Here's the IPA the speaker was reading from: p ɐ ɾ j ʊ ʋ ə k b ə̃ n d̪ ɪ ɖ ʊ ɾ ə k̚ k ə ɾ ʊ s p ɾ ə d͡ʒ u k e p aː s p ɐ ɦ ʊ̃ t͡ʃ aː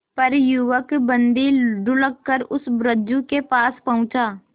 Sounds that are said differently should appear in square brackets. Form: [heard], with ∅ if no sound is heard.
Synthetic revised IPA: p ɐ ɾ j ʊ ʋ ə k b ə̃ n d̪ [i] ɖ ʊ [l] ə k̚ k ə ɾ ʊ s [b] ɾ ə d͡ʒ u k e p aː s p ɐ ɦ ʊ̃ t͡ʃ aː